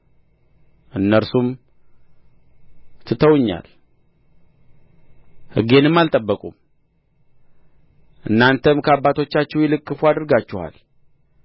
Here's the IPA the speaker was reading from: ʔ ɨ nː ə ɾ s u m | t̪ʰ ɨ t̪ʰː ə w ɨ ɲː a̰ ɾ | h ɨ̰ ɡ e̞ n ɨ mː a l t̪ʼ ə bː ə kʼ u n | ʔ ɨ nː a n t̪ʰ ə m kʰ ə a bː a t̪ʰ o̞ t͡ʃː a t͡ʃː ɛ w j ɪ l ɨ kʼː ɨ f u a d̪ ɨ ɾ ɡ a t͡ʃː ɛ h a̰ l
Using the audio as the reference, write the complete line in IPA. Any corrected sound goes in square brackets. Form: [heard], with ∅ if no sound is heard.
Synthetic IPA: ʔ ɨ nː ə ɾ s u m | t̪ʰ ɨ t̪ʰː ə w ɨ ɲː a̰ [l] | h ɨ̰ ɡ e̞ n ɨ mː a l t̪ʼ ə bː ə kʼ u [m] | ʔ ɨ nː a n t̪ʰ ə m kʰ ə a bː a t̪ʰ o̞ t͡ʃː a t͡ʃː ɛ w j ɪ l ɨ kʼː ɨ f u a d̪ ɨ ɾ ɡ a t͡ʃː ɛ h a̰ l